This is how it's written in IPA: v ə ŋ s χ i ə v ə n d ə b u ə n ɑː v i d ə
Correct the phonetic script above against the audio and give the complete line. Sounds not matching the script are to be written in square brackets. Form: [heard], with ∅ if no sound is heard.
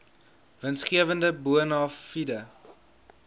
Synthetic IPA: v ə [n] s χ i ə v ə n d ə b u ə n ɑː [f] i d ə